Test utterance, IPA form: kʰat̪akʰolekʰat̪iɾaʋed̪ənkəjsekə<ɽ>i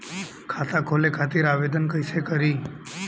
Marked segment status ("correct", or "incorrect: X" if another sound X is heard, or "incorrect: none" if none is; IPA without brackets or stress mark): incorrect: ɾ